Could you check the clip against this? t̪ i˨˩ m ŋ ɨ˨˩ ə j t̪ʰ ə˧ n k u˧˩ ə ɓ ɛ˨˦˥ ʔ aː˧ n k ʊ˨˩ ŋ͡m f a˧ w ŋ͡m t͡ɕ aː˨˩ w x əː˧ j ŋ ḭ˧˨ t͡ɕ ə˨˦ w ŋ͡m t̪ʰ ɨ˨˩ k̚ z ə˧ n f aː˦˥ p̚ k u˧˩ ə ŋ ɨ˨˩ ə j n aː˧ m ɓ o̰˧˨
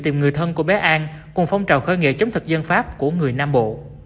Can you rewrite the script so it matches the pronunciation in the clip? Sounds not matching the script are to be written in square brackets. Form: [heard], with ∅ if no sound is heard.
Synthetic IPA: t̪ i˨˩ m ŋ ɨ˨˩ ə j t̪ʰ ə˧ n k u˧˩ ə ɓ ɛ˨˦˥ ʔ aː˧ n k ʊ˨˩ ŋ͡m f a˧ w ŋ͡m t͡ɕ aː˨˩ w x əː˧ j ŋ ḭ˧˨ t͡ɕ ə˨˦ w ŋ͡m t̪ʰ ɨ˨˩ k̚ z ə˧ n f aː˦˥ p̚ k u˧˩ ə ŋ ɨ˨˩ ə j n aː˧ m ɓ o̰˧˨